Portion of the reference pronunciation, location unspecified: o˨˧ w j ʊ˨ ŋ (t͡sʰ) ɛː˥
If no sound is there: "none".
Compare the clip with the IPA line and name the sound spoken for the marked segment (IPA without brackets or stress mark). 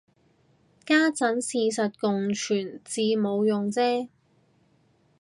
t͡s